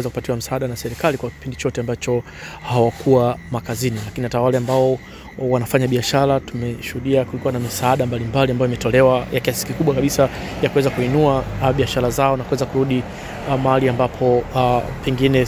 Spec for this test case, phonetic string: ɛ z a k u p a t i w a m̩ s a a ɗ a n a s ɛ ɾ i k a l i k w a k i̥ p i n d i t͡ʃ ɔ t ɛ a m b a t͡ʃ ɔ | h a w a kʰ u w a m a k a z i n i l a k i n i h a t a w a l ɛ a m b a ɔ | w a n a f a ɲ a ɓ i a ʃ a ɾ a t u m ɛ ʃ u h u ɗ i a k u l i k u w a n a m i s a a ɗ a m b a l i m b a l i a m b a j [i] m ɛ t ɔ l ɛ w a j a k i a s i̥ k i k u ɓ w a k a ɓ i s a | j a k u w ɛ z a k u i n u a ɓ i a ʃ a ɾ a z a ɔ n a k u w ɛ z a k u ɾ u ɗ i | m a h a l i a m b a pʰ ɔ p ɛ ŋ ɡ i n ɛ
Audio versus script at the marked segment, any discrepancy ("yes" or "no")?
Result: no